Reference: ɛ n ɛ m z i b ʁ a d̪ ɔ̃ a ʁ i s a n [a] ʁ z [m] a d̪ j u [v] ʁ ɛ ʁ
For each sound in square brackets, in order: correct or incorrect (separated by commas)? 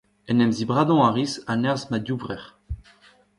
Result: incorrect, correct, correct